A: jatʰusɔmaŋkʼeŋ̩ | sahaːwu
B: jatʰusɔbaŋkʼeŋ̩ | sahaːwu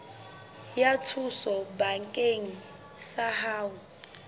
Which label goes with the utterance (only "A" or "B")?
B